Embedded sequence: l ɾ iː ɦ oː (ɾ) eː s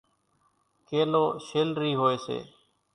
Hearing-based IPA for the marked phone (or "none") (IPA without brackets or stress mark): none